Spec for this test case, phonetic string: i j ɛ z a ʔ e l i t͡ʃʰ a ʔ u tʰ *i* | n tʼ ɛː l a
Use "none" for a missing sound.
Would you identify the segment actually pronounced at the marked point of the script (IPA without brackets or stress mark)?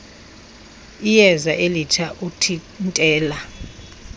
i